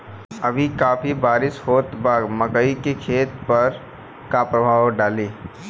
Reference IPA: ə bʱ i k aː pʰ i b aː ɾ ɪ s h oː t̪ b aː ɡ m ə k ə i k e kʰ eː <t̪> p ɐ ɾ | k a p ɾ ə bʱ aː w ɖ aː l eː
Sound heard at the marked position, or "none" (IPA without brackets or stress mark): t̪